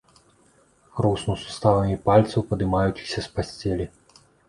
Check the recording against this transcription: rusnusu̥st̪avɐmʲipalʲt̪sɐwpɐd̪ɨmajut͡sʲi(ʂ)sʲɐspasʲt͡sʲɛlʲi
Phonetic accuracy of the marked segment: incorrect: x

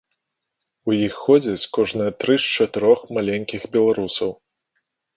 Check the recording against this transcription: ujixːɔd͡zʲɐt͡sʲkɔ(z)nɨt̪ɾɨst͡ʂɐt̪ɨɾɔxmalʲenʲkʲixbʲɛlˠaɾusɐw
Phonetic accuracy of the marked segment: incorrect: ʐ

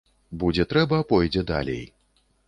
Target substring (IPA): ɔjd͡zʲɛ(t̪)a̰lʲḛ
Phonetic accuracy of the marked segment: incorrect: d̪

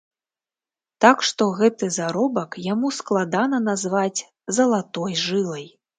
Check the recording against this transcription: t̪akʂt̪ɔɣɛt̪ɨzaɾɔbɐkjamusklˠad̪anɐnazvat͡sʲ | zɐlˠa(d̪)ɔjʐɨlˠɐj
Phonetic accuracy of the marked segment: incorrect: t̪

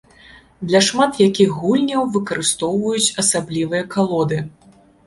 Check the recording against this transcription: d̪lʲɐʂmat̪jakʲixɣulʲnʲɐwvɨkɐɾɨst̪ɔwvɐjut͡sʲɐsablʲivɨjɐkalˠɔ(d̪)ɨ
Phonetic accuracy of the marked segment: correct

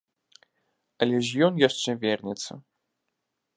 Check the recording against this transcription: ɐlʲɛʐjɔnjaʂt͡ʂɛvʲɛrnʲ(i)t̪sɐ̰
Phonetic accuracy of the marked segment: incorrect: ɛ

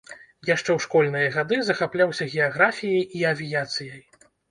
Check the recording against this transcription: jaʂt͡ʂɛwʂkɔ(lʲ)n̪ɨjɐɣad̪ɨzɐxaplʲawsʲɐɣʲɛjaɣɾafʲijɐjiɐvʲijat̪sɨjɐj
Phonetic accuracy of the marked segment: correct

